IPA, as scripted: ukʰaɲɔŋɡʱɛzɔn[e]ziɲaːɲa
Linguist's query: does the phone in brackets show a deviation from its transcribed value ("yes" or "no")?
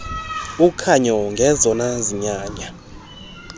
yes